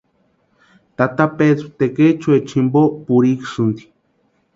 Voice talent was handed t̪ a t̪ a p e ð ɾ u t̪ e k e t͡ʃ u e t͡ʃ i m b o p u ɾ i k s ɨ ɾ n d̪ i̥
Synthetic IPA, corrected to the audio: t̪ a t̪ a p e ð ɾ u t̪ e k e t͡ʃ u e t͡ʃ i m b o p u ɾ i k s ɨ n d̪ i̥

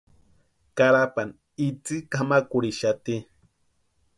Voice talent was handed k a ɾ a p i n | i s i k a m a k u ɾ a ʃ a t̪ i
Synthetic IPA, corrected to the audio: k a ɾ a p a n | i t͡s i k a m a k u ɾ i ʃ a t̪ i

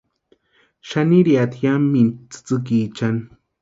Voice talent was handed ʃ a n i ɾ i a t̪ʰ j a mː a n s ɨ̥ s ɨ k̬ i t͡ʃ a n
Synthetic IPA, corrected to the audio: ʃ a n i ɾ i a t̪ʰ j a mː i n t͡s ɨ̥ t͡s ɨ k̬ i t͡ʃ a n

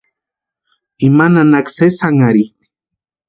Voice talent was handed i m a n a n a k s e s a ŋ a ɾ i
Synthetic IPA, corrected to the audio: i m a n a n a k s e s a ŋ a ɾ i

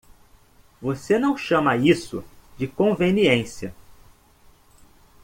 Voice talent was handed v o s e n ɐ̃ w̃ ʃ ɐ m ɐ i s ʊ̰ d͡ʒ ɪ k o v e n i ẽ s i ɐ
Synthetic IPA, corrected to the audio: v o s e n ɐ̃ w̃ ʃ ɐ̃ m ɐ i s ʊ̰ d͡ʒ ɪ k õ v e n i ẽ s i ɐ

